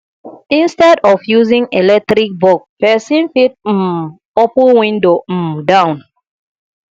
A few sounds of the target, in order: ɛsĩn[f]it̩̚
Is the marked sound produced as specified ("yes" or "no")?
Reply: yes